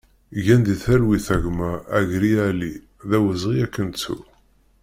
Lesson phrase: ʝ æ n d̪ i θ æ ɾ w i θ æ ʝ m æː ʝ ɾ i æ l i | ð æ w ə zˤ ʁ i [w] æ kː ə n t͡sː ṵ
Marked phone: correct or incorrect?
incorrect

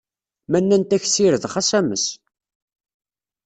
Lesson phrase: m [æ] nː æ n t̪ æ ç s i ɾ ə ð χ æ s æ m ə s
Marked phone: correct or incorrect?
correct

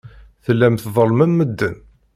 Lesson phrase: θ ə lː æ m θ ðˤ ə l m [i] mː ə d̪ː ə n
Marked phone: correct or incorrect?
incorrect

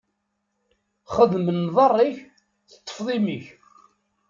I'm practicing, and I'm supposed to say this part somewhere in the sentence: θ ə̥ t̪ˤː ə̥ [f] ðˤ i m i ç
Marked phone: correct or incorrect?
correct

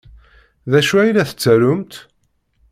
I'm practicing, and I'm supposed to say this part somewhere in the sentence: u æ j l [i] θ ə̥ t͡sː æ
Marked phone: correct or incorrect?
incorrect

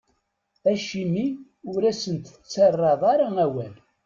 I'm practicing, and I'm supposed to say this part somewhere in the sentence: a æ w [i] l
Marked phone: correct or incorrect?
incorrect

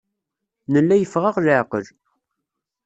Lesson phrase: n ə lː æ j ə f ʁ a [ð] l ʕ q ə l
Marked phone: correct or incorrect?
incorrect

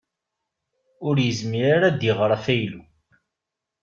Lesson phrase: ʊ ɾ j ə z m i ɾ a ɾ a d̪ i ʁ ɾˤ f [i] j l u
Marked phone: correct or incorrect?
incorrect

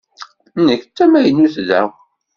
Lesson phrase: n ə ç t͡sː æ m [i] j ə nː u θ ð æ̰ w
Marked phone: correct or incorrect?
incorrect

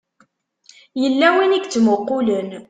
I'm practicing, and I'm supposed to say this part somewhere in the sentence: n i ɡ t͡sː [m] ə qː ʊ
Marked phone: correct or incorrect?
correct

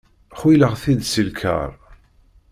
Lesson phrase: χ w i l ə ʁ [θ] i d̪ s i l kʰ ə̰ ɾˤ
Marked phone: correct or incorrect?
correct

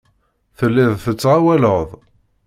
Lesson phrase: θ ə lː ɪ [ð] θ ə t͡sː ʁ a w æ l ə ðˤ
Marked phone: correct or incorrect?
correct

